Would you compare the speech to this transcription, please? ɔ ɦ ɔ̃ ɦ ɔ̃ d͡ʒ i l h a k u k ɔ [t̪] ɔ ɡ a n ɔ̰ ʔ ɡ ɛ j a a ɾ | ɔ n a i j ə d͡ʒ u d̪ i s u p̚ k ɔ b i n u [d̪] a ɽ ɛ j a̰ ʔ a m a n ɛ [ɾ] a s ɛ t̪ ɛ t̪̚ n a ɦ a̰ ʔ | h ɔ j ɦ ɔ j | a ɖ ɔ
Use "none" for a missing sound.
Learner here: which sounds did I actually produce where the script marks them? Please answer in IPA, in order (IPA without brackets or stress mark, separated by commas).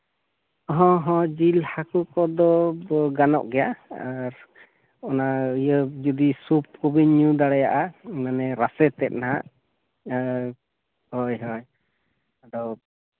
d̪, d̪, ɾ